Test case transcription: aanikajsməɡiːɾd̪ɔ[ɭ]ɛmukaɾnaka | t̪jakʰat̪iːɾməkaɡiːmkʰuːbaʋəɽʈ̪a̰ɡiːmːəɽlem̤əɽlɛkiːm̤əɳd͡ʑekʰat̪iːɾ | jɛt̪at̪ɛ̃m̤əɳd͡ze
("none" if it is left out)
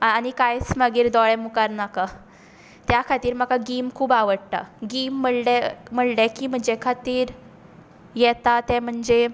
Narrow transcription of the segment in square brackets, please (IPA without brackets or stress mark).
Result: ɭ